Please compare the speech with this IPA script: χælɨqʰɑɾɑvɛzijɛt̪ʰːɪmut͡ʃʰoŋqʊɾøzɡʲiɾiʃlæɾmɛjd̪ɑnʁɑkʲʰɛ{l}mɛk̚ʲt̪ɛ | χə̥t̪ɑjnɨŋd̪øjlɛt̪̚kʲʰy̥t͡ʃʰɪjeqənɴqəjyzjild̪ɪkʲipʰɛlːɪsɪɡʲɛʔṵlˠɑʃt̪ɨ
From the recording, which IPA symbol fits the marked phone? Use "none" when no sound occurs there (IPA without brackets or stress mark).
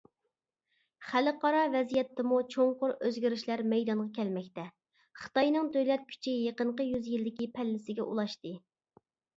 l